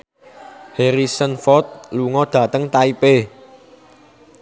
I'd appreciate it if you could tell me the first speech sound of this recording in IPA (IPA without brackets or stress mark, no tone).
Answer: h